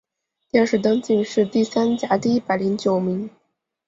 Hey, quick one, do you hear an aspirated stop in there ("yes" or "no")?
no